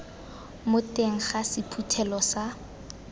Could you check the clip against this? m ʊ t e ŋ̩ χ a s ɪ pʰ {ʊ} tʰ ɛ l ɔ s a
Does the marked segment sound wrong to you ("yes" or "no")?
yes